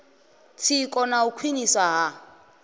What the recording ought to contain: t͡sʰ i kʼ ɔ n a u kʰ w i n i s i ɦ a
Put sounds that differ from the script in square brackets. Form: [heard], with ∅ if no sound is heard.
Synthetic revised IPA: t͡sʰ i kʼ ɔ n a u kʰ w i n i s [a] ɦ a